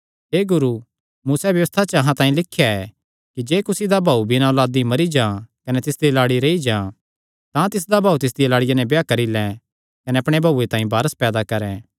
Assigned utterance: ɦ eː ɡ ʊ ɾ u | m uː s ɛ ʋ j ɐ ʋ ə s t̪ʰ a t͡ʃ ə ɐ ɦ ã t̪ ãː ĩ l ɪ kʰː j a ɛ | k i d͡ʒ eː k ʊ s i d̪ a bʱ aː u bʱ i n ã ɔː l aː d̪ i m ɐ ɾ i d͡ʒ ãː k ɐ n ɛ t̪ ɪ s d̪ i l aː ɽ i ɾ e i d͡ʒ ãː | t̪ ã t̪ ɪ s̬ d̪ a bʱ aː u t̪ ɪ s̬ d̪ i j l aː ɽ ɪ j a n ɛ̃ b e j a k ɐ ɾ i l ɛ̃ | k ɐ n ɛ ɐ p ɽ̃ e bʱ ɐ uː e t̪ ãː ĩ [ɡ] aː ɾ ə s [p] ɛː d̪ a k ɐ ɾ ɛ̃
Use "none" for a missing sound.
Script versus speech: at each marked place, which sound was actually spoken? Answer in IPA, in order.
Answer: b, p

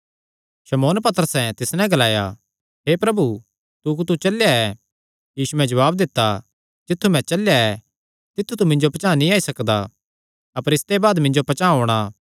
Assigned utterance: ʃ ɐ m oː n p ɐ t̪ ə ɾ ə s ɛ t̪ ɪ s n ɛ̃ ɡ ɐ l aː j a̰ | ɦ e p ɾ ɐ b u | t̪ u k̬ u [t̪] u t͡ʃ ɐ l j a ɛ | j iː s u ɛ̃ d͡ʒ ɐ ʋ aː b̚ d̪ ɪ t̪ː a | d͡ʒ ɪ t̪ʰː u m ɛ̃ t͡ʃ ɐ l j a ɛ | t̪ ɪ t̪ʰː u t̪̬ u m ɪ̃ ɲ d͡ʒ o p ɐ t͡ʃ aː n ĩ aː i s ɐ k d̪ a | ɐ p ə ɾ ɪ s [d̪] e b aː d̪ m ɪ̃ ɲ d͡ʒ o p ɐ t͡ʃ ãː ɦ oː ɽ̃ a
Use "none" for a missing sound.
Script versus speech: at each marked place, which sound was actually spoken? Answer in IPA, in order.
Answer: t̪, t̪

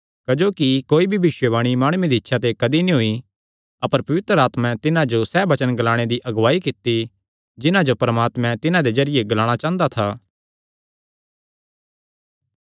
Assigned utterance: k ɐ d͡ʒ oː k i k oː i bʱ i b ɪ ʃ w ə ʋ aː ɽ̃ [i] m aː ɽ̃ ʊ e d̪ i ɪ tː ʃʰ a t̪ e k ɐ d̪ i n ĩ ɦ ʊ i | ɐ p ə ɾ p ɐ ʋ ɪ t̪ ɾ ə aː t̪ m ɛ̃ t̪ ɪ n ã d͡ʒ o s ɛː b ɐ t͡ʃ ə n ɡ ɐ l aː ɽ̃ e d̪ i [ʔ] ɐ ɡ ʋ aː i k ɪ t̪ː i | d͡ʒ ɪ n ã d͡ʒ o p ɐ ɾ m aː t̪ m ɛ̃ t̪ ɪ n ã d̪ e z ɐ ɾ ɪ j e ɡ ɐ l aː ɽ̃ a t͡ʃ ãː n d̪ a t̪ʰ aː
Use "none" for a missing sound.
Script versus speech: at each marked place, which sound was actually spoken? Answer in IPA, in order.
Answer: i, ʔ

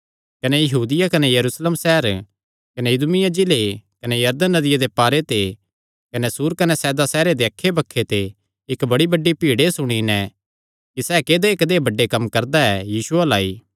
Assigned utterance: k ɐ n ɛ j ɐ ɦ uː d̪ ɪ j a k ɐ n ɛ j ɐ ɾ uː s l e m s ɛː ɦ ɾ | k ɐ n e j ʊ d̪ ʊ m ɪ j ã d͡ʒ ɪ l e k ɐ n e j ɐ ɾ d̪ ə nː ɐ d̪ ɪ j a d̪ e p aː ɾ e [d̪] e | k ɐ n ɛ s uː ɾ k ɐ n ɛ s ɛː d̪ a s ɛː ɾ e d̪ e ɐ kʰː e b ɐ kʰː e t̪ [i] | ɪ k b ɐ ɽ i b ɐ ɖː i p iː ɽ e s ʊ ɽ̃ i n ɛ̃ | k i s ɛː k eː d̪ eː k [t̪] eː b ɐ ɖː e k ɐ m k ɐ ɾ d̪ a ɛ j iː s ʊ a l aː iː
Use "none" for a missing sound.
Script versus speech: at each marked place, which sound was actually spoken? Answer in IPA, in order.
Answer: t̪, e, d̪

